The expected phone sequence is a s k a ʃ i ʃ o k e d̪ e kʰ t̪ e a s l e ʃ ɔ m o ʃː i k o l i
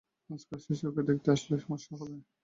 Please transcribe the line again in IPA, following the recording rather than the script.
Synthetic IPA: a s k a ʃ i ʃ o k e d̪ e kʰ t̪ e a ʃ l e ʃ ɔ m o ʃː a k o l e